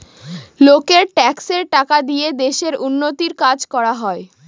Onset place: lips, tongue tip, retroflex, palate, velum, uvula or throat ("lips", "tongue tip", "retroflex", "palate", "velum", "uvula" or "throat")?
tongue tip